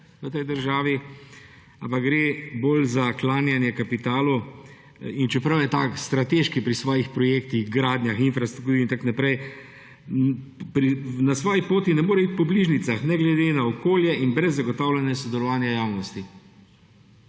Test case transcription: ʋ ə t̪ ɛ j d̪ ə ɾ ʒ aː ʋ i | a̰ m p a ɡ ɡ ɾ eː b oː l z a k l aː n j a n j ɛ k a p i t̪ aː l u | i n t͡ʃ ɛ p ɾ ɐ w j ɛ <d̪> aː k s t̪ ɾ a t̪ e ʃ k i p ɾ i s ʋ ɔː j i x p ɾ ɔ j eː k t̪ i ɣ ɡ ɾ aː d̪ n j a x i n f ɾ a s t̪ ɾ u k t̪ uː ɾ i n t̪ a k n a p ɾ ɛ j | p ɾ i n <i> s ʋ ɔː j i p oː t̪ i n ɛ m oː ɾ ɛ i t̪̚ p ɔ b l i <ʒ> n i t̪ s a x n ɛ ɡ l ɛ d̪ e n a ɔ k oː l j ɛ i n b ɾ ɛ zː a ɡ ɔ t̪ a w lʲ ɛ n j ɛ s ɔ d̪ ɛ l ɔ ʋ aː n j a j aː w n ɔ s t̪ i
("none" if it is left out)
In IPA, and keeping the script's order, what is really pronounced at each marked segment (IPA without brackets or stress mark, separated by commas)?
t̪, a, ʒ